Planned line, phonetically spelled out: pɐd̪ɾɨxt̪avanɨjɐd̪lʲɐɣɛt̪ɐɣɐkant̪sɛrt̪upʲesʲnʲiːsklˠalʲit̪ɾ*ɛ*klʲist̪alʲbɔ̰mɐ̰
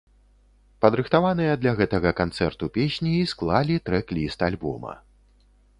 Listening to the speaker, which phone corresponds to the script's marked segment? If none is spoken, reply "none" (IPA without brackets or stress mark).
ɛ